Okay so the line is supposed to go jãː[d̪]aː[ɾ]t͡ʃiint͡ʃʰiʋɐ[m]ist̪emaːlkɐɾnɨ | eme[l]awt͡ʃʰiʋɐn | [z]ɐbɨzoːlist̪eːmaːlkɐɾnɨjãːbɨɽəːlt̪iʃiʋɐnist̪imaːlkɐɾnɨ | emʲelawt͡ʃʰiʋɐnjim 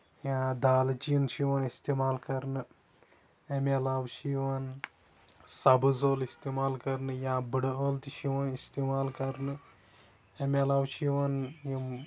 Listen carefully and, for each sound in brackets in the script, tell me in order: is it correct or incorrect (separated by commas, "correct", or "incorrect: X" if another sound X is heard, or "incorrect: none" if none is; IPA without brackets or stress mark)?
correct, incorrect: l, incorrect: n, correct, incorrect: s